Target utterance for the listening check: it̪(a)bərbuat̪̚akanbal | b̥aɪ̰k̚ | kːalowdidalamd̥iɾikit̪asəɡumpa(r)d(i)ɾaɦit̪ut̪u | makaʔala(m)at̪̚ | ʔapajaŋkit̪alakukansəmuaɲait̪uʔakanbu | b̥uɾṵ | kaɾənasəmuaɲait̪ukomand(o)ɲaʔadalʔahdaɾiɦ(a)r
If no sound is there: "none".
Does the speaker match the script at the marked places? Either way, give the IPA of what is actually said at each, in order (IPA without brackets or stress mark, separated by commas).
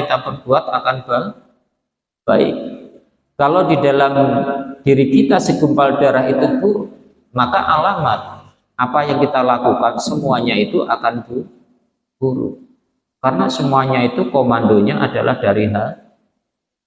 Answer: a, l, a, m, o, a